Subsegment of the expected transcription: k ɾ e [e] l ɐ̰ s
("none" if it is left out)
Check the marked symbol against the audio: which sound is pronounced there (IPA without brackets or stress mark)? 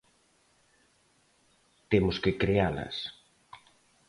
a